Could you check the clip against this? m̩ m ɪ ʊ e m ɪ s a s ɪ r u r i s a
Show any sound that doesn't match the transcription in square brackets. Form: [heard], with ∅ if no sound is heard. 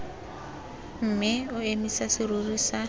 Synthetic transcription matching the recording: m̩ m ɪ ʊ e m [i] s a s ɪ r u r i s a